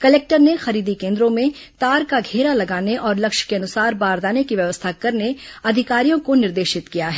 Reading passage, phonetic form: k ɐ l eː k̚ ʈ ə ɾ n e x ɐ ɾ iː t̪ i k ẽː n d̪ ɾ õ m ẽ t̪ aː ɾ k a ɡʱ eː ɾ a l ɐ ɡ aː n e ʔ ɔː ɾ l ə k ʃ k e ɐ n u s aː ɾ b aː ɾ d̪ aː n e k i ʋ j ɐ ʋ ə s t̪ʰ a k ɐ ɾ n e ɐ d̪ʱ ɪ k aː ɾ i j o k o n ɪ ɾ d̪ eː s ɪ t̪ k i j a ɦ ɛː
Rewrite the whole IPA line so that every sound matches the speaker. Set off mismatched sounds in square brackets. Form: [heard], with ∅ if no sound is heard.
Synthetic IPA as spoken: k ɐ l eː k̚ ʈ ə ɾ n e x ɐ ɾ iː [d̪] i k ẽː n d̪ ɾ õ m ẽ t̪ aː ɾ k a ɡʱ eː ɾ a l ɐ ɡ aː n e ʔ ɔː ɾ l [ɐ] k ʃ k e ɐ n [ʊ] s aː ɾ b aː ɾ d̪ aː n e k i ʋ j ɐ ʋ ə s t̪ʰ a k ɐ ɾ n e ɐ d̪ʱ ɪ k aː ɾ i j [õ] k o n ɪ ɾ d̪ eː [ʃ] ɪ t̪ k i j a ɦ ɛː